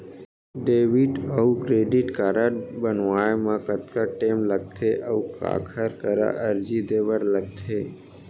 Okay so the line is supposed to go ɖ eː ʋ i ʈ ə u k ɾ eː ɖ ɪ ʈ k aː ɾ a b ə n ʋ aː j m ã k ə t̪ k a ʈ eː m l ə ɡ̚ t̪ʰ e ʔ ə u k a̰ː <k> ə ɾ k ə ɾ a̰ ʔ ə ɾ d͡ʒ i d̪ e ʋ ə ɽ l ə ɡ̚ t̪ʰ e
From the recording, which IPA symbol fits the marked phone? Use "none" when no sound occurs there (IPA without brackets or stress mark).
kʰ